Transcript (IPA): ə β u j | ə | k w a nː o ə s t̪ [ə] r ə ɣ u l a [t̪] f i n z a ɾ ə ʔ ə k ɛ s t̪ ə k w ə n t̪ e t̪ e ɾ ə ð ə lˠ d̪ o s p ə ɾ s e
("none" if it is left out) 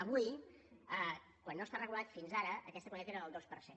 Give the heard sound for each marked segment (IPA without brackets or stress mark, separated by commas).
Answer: a, t̪